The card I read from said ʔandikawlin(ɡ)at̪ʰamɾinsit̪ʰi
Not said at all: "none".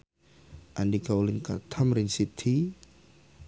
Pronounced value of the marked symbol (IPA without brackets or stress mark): k